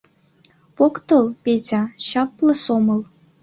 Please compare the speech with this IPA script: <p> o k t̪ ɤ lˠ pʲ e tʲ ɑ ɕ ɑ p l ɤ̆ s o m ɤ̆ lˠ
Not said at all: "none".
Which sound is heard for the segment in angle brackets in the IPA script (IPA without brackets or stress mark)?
p